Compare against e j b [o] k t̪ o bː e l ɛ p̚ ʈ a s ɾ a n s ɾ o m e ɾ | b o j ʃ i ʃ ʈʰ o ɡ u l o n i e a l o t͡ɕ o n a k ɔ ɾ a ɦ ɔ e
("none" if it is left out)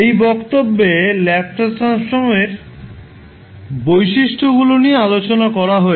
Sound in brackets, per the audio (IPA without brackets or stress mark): ɔ